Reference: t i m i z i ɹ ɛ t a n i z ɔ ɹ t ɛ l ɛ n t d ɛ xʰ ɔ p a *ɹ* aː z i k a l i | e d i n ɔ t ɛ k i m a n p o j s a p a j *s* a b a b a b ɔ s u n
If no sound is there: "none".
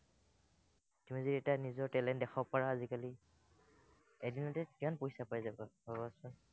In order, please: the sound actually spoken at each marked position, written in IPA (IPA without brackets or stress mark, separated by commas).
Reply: ɹ, z